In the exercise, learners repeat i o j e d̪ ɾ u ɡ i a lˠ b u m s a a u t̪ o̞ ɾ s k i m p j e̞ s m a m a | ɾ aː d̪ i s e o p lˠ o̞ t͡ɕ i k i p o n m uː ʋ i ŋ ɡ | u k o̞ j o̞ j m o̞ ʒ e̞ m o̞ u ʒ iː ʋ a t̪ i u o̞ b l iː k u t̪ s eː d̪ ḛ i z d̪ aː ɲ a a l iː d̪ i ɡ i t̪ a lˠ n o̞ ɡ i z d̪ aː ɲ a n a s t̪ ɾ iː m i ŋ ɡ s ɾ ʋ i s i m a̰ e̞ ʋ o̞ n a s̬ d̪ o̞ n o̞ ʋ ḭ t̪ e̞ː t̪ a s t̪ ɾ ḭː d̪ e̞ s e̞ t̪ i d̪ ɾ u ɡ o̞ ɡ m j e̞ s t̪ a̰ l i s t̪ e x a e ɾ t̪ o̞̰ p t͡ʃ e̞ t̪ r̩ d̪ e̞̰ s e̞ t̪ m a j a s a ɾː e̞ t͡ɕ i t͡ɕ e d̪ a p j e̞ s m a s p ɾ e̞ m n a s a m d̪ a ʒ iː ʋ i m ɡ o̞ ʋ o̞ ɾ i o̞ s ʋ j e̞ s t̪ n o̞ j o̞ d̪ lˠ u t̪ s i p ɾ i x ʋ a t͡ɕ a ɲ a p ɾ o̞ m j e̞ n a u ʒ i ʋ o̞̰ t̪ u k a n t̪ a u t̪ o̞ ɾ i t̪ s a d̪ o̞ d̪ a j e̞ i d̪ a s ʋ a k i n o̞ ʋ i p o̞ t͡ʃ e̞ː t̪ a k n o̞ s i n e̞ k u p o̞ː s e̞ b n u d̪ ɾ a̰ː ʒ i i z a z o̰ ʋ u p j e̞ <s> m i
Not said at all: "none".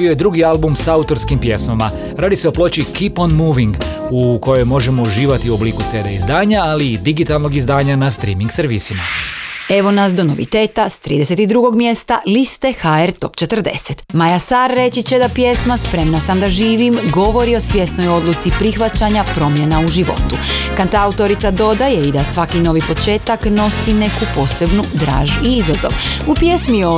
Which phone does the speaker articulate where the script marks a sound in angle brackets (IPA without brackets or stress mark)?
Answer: s